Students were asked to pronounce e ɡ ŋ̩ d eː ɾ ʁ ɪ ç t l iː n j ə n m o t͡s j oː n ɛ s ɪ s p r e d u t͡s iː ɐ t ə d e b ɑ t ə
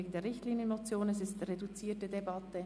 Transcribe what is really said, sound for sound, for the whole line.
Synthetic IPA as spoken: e ɡ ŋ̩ d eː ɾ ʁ ɪ ç t l iː n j ə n m o t͡s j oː n ɛ s ɪ s t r e d u t͡s iː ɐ t ə d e b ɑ t ə